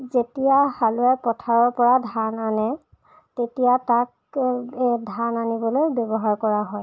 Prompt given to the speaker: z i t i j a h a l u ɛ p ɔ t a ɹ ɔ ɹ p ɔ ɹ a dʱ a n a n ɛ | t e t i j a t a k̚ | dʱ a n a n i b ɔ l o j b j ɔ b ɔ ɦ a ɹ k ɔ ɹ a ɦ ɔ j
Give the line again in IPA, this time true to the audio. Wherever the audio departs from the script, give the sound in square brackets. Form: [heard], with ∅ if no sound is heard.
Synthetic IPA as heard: z [e] t i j a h a l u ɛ p ɔ [tʰ] a ɹ ɔ ɹ p ɔ ɹ a dʱ a n a n ɛ | t e t i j a t a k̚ | dʱ a n a n i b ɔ l o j b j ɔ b ɔ ɦ a ɹ k ɔ ɹ a ɦ ɔ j